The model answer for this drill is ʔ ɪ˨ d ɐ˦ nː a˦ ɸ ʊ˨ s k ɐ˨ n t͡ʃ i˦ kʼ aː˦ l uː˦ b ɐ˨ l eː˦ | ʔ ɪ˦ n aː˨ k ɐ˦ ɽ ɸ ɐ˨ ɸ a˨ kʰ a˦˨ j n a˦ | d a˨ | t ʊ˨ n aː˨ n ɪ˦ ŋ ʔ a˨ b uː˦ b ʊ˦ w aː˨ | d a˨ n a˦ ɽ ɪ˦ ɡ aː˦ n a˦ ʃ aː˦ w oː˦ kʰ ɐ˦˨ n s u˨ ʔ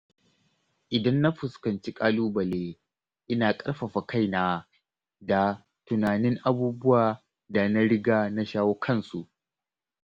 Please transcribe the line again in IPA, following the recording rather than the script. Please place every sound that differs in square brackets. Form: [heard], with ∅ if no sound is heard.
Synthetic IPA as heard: ʔ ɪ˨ d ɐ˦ nː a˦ ɸ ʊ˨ s k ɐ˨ n t͡ʃ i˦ kʼ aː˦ l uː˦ b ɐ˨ l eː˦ | ʔ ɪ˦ n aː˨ [kʼ] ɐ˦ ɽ ɸ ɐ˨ ɸ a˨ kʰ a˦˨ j n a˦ | d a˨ | t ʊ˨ n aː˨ n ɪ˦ ŋ ʔ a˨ b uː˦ b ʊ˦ w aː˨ | d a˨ n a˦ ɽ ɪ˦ ɡ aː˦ n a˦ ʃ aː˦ w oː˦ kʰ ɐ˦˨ n s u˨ ʔ